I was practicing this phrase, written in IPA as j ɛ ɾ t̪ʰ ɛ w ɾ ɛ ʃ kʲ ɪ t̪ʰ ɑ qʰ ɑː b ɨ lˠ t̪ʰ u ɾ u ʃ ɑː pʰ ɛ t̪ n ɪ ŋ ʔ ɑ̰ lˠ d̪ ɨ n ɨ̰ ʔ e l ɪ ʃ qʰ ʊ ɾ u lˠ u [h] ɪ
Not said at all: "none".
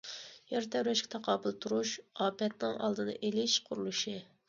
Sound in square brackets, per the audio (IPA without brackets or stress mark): ʃ